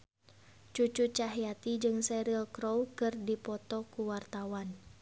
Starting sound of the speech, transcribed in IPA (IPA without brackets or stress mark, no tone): t͡ʃ